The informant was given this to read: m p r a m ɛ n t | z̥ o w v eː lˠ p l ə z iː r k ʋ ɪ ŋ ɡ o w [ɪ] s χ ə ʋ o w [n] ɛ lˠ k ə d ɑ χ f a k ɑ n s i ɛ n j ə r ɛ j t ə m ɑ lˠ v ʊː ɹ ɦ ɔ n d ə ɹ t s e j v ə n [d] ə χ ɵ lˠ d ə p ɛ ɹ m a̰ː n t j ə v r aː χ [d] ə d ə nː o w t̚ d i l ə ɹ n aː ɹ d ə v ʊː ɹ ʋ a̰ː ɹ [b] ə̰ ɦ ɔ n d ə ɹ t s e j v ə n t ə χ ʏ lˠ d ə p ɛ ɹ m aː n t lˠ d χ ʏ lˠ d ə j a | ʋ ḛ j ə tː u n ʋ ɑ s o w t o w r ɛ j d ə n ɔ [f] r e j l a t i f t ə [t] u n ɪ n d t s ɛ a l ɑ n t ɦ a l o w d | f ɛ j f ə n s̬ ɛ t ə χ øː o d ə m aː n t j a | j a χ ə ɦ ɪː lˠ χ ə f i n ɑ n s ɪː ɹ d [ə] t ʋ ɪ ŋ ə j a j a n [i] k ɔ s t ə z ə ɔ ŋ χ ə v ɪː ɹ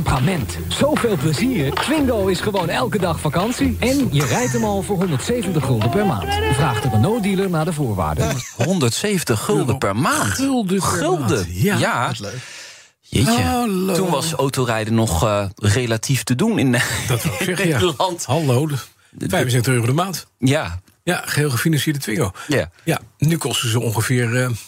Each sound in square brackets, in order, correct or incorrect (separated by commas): correct, correct, incorrect, incorrect, incorrect, incorrect, incorrect, correct, incorrect